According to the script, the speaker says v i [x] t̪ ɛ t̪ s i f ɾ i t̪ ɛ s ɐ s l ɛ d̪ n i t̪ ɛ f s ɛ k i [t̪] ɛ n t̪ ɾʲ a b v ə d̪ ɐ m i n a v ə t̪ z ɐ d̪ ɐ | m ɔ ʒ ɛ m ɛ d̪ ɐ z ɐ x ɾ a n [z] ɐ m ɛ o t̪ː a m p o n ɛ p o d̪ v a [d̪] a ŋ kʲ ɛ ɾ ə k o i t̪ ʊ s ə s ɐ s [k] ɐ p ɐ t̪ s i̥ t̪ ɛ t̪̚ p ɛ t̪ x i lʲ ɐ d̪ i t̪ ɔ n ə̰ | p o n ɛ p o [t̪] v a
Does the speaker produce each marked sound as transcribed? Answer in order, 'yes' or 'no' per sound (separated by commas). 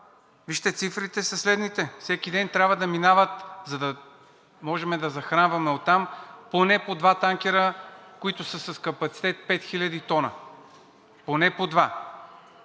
no, no, no, no, yes, no